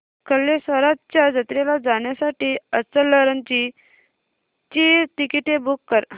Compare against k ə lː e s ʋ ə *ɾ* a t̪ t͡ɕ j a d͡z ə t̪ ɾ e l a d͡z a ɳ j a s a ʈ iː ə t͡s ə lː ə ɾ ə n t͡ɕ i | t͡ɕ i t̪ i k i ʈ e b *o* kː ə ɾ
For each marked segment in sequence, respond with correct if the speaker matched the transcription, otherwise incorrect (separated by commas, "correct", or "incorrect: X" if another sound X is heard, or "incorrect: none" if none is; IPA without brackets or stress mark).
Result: correct, incorrect: u